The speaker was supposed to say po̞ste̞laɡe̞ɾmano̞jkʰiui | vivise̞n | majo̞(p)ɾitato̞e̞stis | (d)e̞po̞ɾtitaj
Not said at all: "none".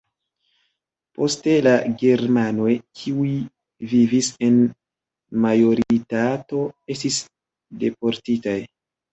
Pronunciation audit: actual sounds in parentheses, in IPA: none, d

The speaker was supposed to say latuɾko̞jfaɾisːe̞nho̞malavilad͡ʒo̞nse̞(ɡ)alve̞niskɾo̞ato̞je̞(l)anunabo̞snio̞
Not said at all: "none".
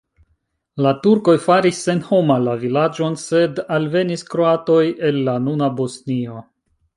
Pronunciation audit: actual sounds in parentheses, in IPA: d, lː

